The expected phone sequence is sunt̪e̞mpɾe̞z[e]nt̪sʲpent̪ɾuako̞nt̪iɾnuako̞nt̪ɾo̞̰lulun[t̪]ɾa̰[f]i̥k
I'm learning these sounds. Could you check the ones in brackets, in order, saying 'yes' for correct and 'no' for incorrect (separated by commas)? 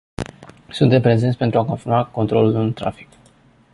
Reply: yes, yes, yes